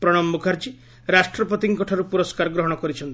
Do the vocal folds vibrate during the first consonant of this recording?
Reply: no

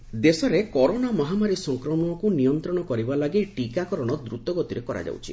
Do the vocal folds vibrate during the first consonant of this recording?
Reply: yes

